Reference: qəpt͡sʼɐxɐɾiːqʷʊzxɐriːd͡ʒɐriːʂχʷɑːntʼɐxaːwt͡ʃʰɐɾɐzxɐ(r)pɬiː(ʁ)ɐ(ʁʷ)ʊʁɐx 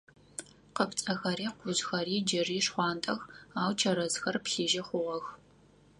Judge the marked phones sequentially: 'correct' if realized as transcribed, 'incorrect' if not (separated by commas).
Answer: correct, incorrect, incorrect